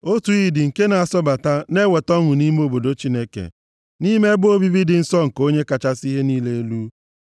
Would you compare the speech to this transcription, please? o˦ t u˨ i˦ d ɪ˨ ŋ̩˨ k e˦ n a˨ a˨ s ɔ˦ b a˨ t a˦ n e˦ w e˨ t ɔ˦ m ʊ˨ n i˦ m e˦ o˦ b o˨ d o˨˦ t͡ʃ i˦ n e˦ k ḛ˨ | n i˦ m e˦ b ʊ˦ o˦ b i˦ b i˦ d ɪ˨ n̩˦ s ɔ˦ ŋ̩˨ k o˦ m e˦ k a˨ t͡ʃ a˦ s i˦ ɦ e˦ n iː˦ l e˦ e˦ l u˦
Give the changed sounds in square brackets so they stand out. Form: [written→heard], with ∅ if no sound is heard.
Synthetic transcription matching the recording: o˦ t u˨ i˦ d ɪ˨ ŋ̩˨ k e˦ n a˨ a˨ s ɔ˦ b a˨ t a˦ n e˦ w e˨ t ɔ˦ [m→ŋ] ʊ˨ n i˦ m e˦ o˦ b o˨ d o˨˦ t͡ʃ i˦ n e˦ k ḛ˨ | n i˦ m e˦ b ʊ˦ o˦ b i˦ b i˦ d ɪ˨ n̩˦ s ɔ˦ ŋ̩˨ k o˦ [m→ɲ] e˦ k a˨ t͡ʃ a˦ s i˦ ɦ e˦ n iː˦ l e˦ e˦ l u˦